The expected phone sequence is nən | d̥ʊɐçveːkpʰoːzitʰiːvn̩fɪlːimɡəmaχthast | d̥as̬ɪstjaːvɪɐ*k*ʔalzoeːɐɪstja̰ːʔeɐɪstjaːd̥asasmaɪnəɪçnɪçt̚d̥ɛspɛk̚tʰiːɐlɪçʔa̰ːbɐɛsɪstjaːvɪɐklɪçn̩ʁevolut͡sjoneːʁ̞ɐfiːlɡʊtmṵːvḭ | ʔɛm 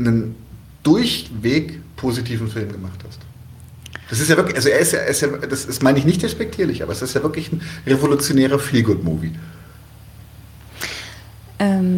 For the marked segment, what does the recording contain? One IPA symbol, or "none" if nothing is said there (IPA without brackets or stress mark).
k